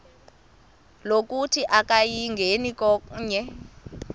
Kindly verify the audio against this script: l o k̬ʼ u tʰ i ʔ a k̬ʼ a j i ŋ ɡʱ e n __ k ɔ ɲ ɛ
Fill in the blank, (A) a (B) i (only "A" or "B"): B